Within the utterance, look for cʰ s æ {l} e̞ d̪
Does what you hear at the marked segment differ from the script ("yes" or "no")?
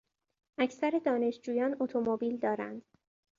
yes